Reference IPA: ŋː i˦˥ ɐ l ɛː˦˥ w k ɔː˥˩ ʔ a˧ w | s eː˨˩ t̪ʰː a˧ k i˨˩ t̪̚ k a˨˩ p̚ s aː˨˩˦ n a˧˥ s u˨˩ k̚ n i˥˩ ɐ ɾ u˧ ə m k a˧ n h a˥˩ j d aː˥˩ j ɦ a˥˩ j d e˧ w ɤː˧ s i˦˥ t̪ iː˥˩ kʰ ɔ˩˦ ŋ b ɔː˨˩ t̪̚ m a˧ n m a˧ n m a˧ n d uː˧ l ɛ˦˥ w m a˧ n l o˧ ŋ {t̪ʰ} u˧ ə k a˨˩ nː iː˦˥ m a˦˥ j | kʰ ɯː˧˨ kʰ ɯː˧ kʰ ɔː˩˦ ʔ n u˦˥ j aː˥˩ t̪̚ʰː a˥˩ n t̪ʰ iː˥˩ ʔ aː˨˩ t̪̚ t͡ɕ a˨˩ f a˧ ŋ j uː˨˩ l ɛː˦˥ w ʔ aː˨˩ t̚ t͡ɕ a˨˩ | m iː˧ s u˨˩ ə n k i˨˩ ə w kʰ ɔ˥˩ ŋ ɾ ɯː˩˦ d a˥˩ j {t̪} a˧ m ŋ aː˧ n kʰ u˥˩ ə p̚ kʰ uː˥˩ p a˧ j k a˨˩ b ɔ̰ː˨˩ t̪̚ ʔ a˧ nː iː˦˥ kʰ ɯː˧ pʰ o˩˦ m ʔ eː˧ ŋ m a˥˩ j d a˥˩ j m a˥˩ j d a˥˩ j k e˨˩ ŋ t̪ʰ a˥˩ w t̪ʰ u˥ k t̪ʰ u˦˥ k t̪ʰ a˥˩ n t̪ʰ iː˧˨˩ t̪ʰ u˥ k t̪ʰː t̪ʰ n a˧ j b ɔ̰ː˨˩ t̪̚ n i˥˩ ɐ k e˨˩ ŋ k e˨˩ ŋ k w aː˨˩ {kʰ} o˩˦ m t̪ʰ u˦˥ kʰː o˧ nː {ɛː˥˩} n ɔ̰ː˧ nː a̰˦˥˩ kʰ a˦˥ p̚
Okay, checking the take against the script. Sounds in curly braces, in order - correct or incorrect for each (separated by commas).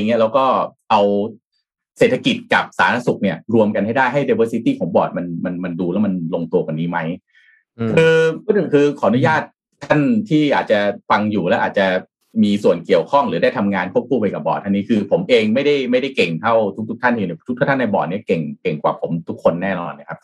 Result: incorrect, incorrect, incorrect, correct